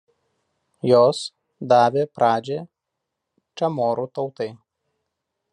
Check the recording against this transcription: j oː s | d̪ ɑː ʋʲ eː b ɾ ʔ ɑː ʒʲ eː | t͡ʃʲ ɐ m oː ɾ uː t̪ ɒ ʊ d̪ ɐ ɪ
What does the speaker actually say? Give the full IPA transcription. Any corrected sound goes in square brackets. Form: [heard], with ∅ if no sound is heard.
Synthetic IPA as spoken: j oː s | d̪ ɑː ʋʲ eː [p] ɾ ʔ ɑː [d͡ʒʲ] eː | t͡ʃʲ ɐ m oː ɾ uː t̪ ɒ ʊ [t̪] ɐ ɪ